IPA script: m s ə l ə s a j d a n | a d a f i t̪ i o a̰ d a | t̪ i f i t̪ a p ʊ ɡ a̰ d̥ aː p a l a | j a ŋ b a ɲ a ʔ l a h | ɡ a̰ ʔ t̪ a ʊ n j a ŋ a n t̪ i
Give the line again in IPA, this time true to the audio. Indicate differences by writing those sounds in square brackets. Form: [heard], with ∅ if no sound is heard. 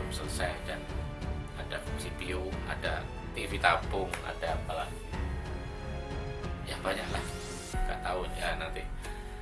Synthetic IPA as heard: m s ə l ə s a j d a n | a d a [s] i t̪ i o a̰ d a | t̪ i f i t̪ a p ʊ [ŋ] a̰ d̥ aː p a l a | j a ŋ b a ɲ a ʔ l a h | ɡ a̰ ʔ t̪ a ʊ n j a [n] a n t̪ i